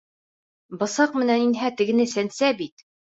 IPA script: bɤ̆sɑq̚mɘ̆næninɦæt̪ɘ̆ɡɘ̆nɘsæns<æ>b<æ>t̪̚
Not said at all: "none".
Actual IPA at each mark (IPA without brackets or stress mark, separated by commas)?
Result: æ, i